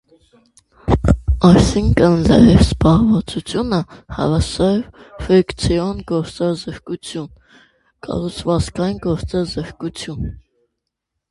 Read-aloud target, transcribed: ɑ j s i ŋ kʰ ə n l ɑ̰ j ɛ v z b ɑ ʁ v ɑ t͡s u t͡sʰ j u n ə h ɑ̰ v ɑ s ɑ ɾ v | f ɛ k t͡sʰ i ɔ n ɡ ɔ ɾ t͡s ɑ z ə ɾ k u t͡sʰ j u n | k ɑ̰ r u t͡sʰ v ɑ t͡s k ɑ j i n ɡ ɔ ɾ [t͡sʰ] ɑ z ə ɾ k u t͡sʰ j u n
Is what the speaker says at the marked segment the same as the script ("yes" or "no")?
no